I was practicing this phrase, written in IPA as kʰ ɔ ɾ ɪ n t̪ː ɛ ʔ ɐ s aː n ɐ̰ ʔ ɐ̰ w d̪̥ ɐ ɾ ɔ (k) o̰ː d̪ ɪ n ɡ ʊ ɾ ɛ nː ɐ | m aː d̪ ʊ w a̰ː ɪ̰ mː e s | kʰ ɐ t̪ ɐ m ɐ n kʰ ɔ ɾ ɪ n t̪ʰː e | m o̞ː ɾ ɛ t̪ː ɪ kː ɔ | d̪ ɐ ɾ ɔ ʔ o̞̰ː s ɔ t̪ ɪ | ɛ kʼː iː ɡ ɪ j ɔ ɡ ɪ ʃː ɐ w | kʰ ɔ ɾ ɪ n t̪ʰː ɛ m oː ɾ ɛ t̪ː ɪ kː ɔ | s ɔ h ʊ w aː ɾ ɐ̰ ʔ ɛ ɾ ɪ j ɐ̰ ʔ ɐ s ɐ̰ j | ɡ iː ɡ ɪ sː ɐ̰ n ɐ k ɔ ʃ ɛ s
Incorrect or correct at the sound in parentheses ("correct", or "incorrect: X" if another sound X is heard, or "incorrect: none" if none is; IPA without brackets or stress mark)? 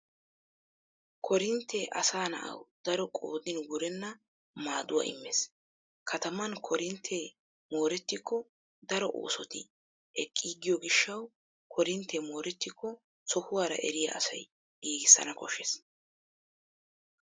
incorrect: kʼ